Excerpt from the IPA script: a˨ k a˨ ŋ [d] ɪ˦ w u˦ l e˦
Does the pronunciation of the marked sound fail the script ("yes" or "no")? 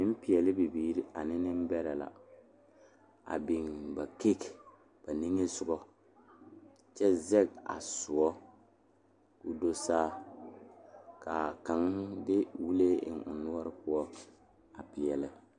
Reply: no